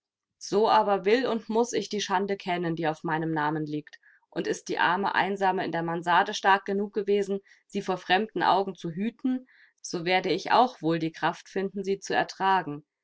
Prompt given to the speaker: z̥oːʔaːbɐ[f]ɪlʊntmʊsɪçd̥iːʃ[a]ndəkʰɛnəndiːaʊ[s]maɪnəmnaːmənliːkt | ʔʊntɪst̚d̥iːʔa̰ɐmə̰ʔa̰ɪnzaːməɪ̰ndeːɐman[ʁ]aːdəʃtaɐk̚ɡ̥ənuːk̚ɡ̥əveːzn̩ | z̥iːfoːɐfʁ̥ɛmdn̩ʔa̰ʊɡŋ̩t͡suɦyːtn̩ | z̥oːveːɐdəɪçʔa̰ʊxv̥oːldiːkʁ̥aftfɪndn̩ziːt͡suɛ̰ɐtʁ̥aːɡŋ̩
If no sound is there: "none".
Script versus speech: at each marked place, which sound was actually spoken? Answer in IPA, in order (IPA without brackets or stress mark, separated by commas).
v, a, f, z